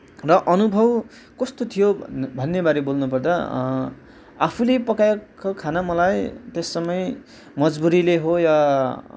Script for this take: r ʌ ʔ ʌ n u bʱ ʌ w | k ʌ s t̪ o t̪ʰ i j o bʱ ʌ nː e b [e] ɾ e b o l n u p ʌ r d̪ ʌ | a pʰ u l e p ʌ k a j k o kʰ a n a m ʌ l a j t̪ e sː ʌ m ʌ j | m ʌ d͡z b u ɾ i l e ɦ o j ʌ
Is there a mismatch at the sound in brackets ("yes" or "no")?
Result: yes